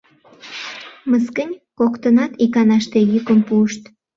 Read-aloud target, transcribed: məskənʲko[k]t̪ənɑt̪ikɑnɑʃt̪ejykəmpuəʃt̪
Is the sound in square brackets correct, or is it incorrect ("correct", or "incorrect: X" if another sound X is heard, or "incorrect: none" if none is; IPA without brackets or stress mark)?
correct